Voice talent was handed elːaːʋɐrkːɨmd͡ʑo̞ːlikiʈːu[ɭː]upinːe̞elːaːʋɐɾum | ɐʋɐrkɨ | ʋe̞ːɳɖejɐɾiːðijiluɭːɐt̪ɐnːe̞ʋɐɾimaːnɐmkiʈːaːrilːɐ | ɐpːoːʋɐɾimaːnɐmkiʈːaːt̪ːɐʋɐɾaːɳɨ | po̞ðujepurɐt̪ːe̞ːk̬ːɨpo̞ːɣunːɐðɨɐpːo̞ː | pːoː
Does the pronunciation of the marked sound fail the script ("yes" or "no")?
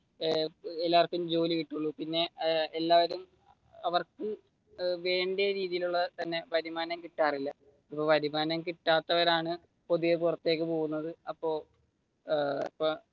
no